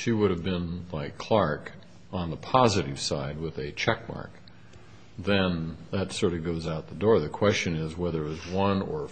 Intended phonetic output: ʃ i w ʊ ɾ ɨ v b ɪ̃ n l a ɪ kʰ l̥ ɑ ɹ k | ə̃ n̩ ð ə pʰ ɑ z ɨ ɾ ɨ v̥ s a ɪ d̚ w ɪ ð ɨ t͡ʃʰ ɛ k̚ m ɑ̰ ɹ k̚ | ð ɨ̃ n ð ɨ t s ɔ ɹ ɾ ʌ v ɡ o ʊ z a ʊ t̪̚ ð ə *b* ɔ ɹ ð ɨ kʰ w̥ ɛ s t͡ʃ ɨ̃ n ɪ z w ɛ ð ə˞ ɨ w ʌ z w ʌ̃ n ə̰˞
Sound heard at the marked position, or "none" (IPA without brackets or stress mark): d